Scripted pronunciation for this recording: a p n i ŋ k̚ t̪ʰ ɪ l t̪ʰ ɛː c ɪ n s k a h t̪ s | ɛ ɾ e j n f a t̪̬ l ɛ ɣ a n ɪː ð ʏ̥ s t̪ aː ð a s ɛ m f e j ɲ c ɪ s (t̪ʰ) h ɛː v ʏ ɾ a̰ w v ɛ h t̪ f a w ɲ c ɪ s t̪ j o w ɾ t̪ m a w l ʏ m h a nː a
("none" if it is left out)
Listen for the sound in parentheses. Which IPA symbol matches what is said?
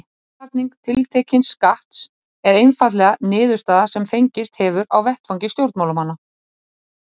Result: t̪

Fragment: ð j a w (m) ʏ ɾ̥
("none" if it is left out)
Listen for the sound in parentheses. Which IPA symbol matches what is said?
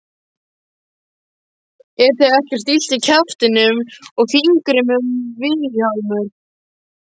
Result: m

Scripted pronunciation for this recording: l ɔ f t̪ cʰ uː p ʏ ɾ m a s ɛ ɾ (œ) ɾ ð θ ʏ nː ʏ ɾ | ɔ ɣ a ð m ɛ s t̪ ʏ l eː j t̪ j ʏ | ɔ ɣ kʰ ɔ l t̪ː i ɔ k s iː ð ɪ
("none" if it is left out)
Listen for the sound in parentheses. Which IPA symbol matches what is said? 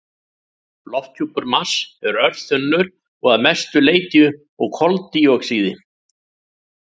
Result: œ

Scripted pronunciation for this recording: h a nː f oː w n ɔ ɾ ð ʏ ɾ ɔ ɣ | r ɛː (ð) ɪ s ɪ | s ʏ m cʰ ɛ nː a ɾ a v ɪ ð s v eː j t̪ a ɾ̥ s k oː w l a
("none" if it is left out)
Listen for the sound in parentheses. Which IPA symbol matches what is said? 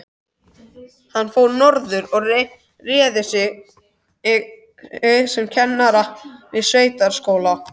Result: ð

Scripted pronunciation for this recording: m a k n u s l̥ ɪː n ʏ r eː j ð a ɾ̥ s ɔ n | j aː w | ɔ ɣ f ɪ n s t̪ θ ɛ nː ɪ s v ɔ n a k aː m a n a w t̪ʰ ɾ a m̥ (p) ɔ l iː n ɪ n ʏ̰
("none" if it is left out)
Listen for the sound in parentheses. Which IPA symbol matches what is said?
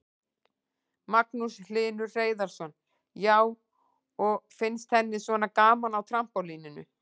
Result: p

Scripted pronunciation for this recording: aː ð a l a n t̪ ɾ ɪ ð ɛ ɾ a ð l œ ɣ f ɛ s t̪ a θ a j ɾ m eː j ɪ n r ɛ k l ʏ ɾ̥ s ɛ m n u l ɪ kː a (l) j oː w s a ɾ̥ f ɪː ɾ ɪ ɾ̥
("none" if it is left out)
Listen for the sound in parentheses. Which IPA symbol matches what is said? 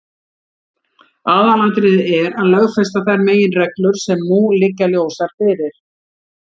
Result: l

